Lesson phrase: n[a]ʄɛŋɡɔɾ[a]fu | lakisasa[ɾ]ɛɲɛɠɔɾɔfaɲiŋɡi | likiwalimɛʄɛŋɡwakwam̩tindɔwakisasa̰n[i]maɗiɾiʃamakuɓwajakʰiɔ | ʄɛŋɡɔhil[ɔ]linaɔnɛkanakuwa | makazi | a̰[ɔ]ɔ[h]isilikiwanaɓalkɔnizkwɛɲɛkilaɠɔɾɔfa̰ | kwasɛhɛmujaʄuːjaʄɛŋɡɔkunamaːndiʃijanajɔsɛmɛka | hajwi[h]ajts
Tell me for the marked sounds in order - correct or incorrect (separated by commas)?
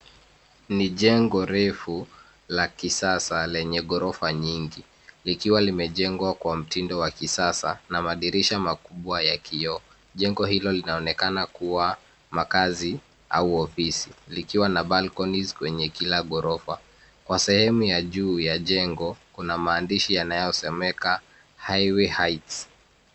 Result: incorrect, incorrect, incorrect, incorrect, correct, incorrect, incorrect, correct